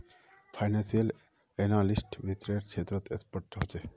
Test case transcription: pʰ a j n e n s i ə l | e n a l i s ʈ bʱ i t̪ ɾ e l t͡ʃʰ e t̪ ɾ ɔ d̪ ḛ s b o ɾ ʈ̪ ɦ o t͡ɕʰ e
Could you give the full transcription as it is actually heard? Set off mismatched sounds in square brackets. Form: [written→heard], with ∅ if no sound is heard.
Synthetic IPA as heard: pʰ a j n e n s i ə l | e n a l i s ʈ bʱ i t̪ ɾ e [l→ɾ] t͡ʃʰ e t̪ ɾ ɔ [d̪→t̪] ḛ s [b→p] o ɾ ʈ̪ ɦ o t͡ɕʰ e